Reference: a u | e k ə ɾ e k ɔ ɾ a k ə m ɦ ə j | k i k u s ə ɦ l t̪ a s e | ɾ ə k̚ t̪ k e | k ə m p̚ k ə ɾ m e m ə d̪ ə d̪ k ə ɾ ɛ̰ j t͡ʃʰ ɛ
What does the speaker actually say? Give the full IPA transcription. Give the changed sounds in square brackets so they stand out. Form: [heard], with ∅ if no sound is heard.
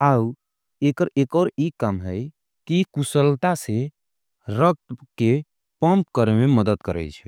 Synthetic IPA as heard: a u | e k ə ɾ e k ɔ ɾ [i] k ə m ɦ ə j | k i k u s ə [∅] l t̪ a s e | ɾ ə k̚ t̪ k e | [p] ə m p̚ k ə ɾ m e m ə d̪ ə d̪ k ə ɾ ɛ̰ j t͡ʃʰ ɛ